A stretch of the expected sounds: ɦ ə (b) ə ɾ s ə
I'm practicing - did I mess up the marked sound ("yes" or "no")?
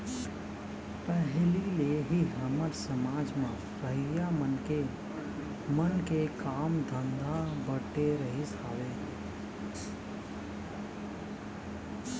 yes